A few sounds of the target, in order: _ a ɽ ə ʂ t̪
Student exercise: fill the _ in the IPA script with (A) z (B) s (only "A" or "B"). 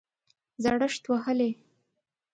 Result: A